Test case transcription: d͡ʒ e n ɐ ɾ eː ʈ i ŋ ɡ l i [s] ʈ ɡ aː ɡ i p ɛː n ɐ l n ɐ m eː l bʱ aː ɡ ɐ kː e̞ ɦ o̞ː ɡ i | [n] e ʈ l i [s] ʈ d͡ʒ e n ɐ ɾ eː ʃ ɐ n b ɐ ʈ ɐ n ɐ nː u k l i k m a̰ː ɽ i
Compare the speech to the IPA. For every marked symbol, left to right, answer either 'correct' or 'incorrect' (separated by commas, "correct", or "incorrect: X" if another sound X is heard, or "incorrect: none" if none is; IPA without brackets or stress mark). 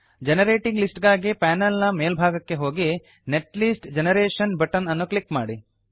correct, correct, correct